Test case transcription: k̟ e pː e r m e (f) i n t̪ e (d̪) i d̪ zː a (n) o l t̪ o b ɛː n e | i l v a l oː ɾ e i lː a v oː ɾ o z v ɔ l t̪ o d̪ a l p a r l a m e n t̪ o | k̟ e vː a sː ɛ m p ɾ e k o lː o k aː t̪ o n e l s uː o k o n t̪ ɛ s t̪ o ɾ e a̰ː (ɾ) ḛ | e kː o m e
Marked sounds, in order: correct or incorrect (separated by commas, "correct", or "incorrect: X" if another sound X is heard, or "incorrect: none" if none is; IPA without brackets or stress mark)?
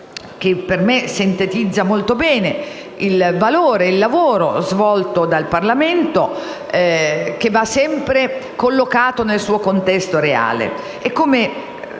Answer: incorrect: s, incorrect: t̪, incorrect: m, incorrect: l